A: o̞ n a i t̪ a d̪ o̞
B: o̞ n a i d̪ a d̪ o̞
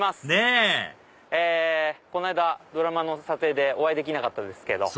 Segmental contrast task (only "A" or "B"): B